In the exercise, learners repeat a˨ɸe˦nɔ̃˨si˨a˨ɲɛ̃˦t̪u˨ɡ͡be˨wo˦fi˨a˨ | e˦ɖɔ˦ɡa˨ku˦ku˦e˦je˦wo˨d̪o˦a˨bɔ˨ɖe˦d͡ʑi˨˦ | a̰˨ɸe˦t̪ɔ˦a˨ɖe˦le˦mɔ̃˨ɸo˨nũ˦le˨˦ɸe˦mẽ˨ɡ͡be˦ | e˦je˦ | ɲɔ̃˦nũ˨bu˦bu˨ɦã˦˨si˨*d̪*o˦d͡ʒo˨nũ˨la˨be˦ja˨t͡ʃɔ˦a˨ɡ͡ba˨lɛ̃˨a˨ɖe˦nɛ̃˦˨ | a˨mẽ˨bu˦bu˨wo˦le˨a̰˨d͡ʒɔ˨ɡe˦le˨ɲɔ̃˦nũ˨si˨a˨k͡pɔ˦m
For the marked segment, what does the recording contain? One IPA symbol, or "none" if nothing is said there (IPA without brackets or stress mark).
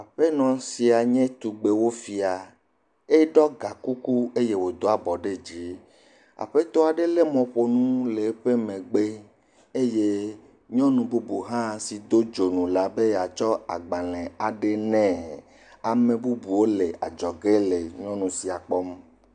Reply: d̪